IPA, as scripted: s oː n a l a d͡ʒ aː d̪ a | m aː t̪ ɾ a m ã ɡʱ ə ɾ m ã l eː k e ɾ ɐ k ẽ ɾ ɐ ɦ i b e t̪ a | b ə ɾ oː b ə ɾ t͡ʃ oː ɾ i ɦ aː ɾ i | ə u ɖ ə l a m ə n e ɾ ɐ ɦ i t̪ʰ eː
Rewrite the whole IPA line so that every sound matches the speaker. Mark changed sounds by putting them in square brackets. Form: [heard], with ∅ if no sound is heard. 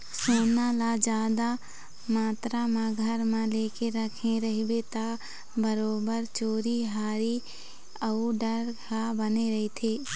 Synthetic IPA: s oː n a l a d͡ʒ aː d̪ a | m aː t̪ ɾ a m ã ɡʱ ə ɾ m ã l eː k e ɾ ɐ [kʰ] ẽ ɾ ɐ ɦ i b e t̪ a | b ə ɾ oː b ə ɾ t͡ʃ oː ɾ i ɦ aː ɾ i | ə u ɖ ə [ɾ] a [b] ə n e ɾ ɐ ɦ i t̪ʰ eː